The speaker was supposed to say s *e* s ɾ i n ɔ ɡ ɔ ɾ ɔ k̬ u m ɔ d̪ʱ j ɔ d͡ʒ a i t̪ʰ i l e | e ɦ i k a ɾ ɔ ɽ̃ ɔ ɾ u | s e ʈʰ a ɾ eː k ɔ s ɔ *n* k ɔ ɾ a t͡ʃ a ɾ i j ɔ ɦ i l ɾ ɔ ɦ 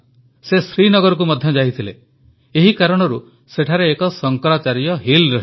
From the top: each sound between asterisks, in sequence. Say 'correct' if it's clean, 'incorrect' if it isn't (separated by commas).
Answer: correct, incorrect